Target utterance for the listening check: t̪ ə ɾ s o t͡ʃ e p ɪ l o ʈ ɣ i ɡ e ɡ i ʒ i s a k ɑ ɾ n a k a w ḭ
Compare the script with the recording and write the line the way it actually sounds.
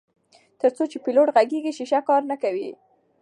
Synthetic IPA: t̪ ə ɾ t͡s o t͡ʃ e p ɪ l o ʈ ɣ a ɡ e ɡ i ʃ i ʃ a k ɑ ɾ n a k a w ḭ